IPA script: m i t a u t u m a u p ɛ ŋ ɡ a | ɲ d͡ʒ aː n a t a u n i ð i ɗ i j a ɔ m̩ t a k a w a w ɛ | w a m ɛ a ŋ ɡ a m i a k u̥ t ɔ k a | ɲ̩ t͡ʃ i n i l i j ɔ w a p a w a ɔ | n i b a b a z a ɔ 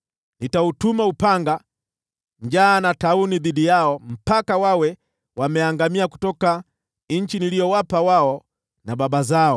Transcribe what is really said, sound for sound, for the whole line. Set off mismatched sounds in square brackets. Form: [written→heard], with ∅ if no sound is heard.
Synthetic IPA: [m→n] i t a u t u m a u p [ɛ→a] ŋ ɡ a | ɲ d͡ʒ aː n a t a u n i ð i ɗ i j a ɔ m̩ [t→p] a k a w a w ɛ | w a m ɛ a ŋ ɡ a m i a k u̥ t ɔ k a | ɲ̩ t͡ʃ i n i l i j ɔ w a p a w a ɔ | n [i→a] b a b a z a ɔ